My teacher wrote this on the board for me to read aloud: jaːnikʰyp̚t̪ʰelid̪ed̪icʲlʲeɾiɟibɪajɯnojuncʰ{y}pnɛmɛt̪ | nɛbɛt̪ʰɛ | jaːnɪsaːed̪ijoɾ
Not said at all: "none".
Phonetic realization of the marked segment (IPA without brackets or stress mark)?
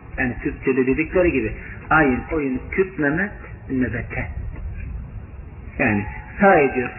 y